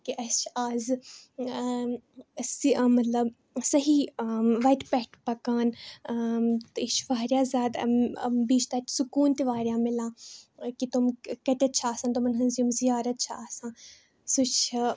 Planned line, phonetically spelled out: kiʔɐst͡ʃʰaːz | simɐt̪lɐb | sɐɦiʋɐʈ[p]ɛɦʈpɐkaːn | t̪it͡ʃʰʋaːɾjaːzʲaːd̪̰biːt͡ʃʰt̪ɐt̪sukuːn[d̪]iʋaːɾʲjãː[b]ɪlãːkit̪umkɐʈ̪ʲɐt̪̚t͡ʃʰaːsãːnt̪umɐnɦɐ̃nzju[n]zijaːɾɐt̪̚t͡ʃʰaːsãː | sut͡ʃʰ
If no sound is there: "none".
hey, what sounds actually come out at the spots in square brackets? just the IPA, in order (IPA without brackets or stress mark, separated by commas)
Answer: p, t̪, m, m